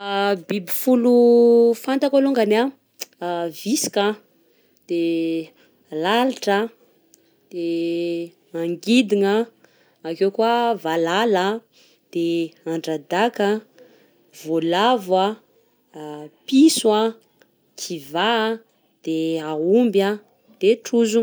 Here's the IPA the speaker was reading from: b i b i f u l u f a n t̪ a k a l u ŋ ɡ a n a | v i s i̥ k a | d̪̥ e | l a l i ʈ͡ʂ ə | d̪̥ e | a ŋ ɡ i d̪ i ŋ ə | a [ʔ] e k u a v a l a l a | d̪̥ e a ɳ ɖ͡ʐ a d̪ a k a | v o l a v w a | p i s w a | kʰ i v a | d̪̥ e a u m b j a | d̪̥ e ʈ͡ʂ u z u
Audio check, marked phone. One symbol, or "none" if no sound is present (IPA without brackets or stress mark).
k